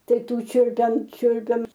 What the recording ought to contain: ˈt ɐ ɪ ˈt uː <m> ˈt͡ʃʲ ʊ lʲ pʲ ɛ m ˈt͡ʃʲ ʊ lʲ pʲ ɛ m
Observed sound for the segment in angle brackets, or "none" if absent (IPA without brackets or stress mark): none